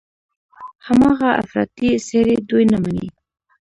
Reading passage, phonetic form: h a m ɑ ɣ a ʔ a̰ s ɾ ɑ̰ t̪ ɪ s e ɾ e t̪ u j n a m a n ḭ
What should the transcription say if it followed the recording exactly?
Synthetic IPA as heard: h a m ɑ ɣ a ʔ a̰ f ɾ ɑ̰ t̪ i s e ɾ e d̪ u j n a m a n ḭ